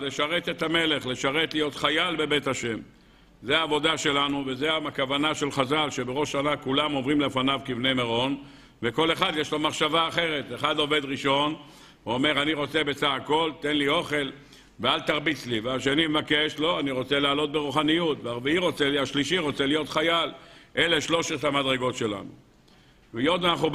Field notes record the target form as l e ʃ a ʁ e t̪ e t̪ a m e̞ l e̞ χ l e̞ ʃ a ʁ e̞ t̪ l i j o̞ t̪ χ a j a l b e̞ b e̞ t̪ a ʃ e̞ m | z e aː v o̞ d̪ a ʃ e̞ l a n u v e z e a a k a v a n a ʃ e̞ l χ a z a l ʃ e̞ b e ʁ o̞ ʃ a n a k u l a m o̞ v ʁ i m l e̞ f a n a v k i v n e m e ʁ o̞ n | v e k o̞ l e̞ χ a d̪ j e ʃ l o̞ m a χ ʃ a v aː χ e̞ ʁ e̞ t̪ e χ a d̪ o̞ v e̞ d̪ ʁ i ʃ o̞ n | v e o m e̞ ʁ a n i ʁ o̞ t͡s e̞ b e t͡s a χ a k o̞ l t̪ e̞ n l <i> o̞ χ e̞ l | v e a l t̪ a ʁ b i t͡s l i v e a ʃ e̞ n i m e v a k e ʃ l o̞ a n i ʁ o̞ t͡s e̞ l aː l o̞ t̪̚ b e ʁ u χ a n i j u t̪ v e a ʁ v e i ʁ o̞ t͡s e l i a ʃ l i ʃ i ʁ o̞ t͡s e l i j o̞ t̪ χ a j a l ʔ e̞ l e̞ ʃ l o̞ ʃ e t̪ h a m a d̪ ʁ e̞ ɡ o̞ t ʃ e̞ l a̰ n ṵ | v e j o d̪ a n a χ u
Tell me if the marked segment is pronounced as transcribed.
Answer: yes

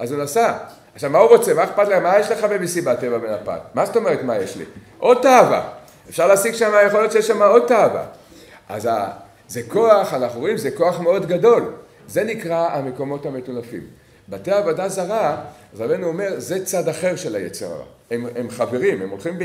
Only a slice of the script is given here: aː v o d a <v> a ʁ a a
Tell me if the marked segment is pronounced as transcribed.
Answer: no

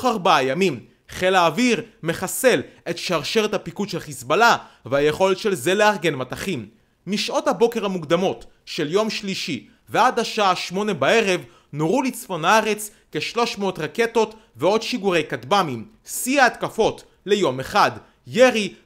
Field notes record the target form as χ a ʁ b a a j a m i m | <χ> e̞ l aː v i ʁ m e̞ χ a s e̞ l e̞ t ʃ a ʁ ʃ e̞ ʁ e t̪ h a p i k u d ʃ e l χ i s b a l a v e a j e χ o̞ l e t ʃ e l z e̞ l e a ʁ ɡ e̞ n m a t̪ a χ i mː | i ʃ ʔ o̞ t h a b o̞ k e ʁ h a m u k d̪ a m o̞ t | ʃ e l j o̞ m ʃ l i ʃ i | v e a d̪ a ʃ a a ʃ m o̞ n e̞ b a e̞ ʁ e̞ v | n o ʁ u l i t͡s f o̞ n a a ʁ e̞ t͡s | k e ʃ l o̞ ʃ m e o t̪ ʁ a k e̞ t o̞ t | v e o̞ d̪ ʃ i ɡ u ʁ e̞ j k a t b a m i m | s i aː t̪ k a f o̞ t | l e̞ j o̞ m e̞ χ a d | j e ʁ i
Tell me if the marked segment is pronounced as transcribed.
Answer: yes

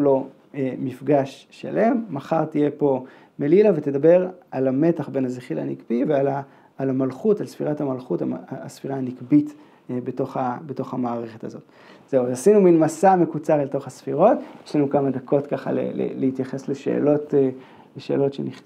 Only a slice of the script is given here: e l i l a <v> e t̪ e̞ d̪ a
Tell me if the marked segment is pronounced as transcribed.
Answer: yes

